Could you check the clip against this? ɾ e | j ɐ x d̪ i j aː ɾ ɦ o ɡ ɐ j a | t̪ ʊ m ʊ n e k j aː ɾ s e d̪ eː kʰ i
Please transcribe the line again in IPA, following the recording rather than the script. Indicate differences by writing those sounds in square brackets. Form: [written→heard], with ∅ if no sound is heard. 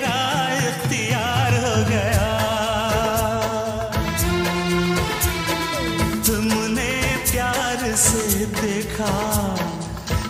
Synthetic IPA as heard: ɾ [e→a] | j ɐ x [d̪→t̪] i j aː ɾ ɦ o ɡ ɐ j a | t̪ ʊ m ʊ n e [k→p] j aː ɾ s e d̪ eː kʰ [i→a]